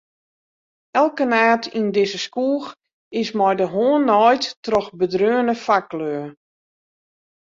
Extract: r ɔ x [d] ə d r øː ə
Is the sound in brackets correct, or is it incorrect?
incorrect